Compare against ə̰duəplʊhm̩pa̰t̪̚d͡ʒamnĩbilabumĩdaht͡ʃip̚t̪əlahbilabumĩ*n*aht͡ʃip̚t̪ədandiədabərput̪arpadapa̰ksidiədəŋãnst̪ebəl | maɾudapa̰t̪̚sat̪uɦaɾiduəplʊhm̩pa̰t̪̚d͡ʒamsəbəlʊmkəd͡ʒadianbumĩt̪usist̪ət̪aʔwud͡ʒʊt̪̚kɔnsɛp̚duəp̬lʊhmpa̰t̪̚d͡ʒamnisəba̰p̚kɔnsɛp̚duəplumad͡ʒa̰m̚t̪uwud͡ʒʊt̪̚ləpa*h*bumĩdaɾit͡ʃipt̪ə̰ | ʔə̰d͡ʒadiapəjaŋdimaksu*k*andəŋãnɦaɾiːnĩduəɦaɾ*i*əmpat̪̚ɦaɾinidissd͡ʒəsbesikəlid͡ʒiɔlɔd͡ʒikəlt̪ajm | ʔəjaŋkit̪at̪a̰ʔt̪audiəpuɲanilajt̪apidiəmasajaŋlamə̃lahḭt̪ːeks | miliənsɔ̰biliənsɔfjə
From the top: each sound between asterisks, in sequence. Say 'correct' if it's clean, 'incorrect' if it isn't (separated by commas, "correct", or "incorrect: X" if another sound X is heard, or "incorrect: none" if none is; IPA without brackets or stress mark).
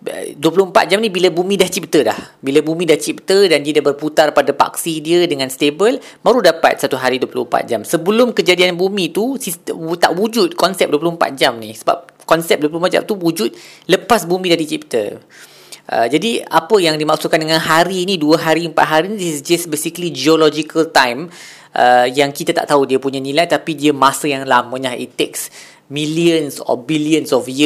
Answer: incorrect: d, incorrect: s, correct, correct